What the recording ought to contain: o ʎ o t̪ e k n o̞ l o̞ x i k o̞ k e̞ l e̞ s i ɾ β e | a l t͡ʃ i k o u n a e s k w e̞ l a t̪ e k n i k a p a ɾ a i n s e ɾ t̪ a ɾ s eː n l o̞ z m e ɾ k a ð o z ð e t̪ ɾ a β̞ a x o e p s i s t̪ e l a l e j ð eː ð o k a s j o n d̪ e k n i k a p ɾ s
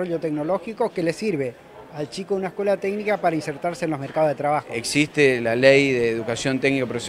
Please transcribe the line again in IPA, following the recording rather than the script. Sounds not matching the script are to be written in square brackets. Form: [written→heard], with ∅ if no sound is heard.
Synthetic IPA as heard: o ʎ o t̪ e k n o̞ l o̞ x i k o̞ k e̞ l e̞ s i ɾ β e | a l t͡ʃ i k o u n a e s k w e̞ l a t̪ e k n i k a p a ɾ a i n s e ɾ t̪ a ɾ s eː n l o̞ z m e ɾ k a ð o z ð e t̪ ɾ a β̞ a x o e [p→k] s i s t̪ e l a l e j ð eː ð [o→u] k a s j o n [d̪→t̪] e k n i k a p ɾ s

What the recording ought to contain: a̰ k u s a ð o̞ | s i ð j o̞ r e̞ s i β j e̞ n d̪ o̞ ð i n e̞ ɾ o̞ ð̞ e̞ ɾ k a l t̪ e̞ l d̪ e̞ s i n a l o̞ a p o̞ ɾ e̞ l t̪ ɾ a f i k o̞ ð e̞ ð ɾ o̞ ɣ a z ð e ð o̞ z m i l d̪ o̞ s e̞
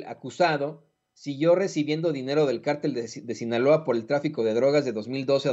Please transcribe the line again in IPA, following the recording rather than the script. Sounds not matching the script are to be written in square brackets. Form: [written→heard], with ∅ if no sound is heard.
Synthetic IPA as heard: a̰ k u s a ð o̞ | s i [ð→ɣ] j o̞ r e̞ s i β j e̞ n d̪ o̞ ð i n e̞ ɾ o̞ ð̞ e̞ [ɾ→l] k a [l→ɾ] t̪ e̞ l d̪ e̞ s i n a l o̞ a p o̞ ɾ e̞ l t̪ ɾ a f i k o̞ ð e̞ ð ɾ o̞ ɣ a z ð e ð o̞ z m i l d̪ o̞ s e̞

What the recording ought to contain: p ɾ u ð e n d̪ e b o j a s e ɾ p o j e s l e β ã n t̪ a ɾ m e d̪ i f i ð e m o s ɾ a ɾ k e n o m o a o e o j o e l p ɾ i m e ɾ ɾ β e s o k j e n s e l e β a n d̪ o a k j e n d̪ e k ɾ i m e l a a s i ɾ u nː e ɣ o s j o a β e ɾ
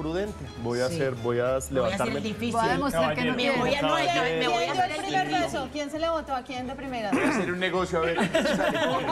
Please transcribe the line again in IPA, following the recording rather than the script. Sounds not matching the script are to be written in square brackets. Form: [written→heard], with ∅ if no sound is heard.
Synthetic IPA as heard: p ɾ u ð e n [d̪→t̪] e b o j a s e ɾ [p→b] o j [e→a] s l e β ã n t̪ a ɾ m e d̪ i f i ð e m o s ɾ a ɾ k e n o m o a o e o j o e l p ɾ i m e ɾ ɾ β e s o k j e n s e l e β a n [d̪→t̪] o a k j e n d̪ e [k→p] ɾ i m e [l→ɾ] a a s [i→e] ɾ u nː e ɣ o s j o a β e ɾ

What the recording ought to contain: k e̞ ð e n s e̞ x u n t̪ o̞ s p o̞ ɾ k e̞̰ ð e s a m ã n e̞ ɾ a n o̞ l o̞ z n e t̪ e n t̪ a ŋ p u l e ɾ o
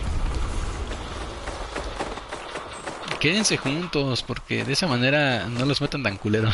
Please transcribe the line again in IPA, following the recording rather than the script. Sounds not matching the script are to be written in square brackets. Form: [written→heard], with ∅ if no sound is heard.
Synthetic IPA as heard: k e̞ ð e n s e̞ x u n t̪ o̞ s p o̞ ɾ k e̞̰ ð e s a m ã n e̞ ɾ a n o̞ l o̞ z [n→m] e t̪ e n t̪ a ŋ [p→k] u l e ɾ o

